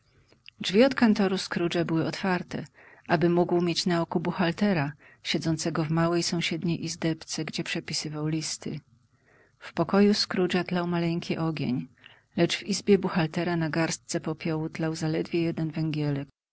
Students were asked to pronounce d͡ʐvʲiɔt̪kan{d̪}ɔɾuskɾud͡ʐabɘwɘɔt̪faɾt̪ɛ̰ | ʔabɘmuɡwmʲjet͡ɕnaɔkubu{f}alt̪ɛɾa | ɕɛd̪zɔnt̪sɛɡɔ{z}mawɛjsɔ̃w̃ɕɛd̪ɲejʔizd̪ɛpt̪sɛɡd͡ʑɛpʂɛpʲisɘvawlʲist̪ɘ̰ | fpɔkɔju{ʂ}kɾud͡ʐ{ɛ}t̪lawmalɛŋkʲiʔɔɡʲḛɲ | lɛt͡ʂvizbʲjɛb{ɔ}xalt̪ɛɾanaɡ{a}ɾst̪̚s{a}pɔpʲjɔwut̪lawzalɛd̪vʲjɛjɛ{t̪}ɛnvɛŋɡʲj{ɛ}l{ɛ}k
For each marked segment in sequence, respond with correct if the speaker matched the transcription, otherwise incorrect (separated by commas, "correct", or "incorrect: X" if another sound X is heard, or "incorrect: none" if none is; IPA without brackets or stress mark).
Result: incorrect: t̪, incorrect: x, incorrect: v, incorrect: s, incorrect: a, incorrect: u, correct, incorrect: ɛ, incorrect: d̪, correct, correct